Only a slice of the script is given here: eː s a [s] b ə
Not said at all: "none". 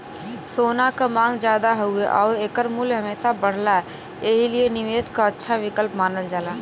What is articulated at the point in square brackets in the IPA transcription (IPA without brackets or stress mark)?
none